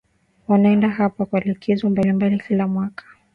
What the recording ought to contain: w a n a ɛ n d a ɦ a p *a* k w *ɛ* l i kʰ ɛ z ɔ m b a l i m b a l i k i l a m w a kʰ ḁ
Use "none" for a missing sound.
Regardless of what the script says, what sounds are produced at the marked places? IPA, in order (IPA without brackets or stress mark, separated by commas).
a, a